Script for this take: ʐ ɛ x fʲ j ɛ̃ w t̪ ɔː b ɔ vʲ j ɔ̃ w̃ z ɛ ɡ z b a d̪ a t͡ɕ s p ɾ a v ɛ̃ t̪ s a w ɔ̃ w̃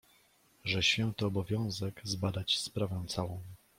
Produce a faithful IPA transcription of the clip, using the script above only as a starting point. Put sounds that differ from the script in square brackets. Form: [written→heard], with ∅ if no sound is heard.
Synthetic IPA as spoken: ʐ ɛ [x→ɕ] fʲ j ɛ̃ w t̪ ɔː b ɔ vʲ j ɔ̃ w̃ z ɛ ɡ z b a d̪ a t͡ɕ s p ɾ a v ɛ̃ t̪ s a w ɔ̃ w̃